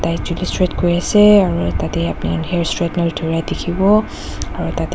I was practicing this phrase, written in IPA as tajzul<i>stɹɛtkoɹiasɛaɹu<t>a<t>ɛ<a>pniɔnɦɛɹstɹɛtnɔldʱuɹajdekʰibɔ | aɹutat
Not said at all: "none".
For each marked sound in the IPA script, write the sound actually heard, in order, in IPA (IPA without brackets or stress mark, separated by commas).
i, t, t, a